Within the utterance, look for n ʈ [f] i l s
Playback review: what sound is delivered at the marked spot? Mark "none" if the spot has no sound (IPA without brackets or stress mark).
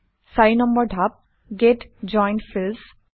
f